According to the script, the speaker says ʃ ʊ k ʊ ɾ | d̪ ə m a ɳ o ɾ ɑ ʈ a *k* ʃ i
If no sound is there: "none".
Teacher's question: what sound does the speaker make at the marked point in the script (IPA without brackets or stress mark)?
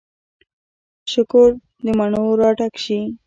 k